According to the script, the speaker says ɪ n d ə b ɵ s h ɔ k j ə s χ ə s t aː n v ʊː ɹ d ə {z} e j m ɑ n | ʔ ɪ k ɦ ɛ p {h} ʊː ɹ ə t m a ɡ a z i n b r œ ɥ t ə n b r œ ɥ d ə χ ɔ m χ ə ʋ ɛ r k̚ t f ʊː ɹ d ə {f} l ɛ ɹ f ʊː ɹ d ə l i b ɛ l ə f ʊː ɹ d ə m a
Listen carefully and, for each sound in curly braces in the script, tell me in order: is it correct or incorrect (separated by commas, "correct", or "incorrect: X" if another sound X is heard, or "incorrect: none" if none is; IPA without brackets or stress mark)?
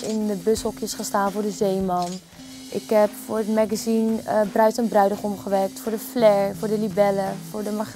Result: correct, incorrect: f, correct